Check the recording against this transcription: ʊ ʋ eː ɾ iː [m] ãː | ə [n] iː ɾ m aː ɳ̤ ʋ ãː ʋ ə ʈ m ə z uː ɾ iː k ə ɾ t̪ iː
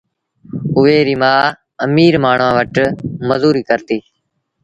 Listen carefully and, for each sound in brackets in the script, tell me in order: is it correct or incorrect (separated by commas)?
correct, incorrect